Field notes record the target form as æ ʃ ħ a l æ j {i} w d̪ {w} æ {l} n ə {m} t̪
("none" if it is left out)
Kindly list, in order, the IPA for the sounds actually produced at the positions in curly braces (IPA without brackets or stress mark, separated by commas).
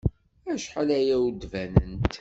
æ, v, none, n